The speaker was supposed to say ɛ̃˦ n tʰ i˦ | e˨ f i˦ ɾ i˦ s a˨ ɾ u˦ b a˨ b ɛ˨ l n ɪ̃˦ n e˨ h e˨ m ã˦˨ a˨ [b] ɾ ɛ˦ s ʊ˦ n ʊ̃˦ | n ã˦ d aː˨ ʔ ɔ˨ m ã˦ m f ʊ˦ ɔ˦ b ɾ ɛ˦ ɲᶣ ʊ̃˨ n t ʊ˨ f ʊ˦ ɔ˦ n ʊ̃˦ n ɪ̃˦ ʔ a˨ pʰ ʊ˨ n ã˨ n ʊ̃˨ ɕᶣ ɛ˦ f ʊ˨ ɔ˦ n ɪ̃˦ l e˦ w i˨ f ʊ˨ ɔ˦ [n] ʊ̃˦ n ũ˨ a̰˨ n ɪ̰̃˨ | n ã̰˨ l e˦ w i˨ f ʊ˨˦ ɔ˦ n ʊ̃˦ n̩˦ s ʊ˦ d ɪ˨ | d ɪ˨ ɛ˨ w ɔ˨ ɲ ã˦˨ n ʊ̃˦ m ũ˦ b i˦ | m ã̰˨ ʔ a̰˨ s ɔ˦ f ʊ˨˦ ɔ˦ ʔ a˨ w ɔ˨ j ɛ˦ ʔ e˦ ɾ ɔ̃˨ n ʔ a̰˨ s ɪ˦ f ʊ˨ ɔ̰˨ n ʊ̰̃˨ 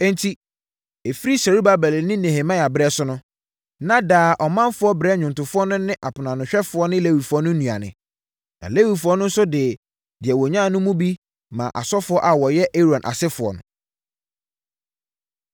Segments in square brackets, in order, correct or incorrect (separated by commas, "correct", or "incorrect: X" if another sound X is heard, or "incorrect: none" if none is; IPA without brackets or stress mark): correct, correct